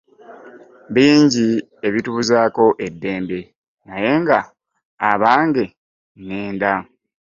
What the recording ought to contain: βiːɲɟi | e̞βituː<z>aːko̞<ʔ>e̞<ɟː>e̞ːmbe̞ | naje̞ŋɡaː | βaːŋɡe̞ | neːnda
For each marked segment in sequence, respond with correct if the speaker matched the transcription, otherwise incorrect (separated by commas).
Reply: correct, correct, incorrect